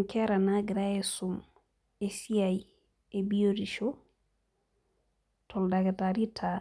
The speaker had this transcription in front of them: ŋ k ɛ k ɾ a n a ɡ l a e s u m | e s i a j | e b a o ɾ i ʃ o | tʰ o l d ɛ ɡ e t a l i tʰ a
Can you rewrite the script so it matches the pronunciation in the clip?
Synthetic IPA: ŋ k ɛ ɾ a n a ɡ ɾ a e s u m | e s i a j | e b i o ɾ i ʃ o | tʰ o l d a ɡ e t a ɾ i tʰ a